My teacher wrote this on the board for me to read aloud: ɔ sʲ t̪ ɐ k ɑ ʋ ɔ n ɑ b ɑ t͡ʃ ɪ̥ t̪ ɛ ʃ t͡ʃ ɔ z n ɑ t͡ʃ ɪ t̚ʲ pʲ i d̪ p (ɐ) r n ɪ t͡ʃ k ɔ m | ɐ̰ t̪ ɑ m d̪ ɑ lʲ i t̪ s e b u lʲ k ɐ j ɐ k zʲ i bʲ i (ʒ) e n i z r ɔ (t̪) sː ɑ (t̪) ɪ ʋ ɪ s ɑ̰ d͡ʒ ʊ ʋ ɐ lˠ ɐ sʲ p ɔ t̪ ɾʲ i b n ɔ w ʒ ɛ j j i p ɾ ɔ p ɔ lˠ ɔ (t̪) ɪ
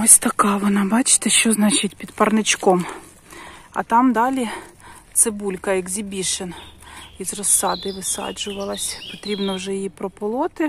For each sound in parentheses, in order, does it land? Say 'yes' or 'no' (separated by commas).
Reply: yes, no, no, no, yes